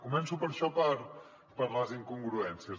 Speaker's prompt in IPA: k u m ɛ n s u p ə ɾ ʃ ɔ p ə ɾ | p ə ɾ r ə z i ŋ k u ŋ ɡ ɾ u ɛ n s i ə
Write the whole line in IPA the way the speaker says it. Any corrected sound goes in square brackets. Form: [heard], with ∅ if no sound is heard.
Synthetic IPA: k u m ɛ n s u p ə ɾ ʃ ɔ p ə ɾ | p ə ɾ [l] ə z i ŋ k u ŋ ɡ ɾ u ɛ n s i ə